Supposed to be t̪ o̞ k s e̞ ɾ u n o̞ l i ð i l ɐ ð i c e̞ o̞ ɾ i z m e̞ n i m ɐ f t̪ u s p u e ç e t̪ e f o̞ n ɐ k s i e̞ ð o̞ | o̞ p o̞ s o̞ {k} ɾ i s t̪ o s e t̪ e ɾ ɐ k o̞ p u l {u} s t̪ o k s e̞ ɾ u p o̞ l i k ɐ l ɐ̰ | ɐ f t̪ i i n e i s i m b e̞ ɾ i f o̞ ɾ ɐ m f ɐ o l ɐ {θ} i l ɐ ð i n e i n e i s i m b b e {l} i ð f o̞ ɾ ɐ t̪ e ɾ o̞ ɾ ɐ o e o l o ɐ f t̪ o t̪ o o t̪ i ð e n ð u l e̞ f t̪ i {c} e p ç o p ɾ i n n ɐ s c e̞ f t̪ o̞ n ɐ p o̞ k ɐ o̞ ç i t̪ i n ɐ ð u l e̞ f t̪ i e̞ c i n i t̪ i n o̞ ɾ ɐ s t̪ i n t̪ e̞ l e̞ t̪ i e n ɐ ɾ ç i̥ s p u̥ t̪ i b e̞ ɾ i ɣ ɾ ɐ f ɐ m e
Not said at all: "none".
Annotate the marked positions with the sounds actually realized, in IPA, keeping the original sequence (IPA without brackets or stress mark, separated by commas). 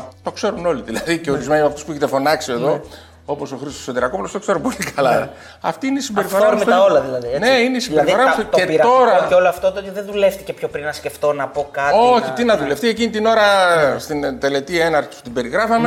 x, o, ð, ɾ, c